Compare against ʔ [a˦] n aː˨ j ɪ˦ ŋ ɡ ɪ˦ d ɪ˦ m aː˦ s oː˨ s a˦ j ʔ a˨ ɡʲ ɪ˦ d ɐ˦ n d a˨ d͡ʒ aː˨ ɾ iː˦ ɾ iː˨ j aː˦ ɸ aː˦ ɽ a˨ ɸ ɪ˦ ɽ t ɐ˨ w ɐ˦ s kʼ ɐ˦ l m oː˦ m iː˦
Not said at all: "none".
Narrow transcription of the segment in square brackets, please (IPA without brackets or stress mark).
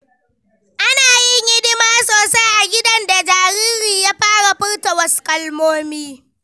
a˦